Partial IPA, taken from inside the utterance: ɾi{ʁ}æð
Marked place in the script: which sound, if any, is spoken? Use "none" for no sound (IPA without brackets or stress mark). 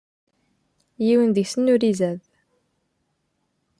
z